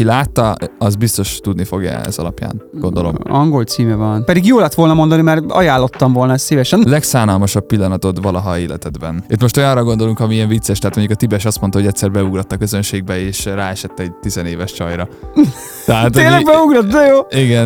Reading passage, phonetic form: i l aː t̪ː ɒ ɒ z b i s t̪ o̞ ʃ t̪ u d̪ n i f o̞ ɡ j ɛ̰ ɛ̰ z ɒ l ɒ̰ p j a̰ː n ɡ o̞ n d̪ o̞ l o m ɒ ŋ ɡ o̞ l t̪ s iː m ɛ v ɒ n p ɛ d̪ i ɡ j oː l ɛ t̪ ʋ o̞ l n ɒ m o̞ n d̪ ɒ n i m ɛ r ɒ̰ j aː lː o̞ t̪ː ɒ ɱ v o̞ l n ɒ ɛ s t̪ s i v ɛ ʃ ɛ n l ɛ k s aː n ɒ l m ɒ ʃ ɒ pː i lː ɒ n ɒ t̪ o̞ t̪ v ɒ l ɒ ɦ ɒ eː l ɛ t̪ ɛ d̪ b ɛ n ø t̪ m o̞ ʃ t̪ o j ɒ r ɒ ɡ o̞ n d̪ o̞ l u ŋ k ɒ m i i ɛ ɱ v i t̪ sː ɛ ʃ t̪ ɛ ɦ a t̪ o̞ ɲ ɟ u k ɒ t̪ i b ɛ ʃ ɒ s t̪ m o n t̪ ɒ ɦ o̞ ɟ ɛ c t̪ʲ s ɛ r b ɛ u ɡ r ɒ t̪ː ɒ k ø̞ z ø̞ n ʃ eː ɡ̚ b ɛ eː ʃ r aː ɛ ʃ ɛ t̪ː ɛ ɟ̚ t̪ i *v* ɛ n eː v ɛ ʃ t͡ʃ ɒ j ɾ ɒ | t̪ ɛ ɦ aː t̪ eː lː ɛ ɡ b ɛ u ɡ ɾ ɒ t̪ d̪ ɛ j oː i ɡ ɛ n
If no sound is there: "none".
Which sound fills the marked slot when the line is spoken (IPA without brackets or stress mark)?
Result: z